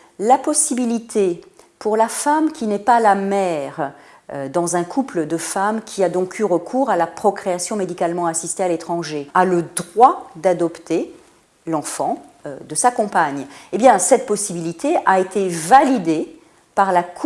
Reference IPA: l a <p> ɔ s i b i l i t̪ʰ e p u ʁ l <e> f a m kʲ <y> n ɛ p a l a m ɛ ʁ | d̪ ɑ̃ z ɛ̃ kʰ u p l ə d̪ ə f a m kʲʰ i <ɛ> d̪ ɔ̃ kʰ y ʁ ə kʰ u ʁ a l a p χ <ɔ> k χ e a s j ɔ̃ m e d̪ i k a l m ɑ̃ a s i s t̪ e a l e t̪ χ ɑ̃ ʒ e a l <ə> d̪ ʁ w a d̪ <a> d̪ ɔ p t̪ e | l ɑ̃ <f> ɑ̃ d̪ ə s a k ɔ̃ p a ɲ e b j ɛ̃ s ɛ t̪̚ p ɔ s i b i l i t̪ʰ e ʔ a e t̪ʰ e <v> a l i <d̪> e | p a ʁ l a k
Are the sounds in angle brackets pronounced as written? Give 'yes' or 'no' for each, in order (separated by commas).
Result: yes, no, no, no, yes, yes, yes, yes, yes, yes